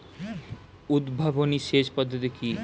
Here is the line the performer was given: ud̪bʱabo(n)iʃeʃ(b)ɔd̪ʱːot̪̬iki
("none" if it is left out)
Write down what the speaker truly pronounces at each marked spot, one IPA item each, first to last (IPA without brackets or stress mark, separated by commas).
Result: n, p